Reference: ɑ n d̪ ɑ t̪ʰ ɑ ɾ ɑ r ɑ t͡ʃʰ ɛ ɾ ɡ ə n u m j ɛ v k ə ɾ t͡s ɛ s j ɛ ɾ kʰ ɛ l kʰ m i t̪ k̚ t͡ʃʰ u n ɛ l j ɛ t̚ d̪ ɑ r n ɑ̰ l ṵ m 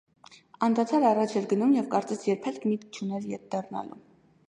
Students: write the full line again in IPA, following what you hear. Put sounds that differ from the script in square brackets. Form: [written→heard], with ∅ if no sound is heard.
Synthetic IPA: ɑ n d̪ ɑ t̪ʰ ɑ ɾ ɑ r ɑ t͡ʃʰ ɛ ɾ ɡ ə n u m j ɛ v k [ə→ɑ] ɾ t͡s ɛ s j ɛ ɾ [kʰ→pʰ] ɛ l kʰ m i t̪ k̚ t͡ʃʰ u n ɛ l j ɛ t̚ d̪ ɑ r n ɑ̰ l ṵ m